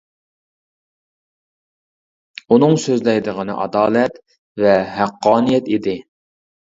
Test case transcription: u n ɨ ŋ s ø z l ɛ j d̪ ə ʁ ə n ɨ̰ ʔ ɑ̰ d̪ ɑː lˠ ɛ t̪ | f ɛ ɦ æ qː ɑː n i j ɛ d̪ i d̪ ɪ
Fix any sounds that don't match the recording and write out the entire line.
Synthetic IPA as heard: u n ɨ ŋ s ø z l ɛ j d̪ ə ʁ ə n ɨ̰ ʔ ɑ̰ d̪ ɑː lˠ ɛ t̪ | v ɛ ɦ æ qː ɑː n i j ɛ t̪ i d̪ ɪ